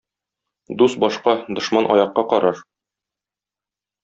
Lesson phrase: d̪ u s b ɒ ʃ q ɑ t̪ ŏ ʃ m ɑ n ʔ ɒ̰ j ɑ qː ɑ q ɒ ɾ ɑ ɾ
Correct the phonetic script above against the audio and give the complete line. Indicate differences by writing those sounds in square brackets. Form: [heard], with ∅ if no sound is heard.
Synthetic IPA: d̪ u s b ɒ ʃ q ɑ [d̪] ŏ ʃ m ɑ n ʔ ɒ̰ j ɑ qː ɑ q ɒ ɾ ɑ ɾ